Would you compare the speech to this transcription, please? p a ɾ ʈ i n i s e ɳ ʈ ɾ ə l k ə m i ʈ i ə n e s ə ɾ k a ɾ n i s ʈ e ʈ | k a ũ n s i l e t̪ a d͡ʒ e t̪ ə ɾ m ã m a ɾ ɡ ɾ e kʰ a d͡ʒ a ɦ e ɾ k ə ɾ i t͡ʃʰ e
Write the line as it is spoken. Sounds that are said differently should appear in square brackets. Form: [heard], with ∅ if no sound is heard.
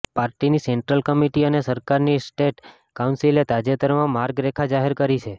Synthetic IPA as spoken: p a ɾ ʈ i n i s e ɳ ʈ ɾ ə l k ə m i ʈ i ə n e s ə ɾ k a ɾ n i s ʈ e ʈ | k a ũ n s i l e t̪ a d͡ʒ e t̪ ə ɾ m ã m a ɾ ɡ ɾ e kʰ a d͡ʒ a ɦ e ɾ k ə ɾ i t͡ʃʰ e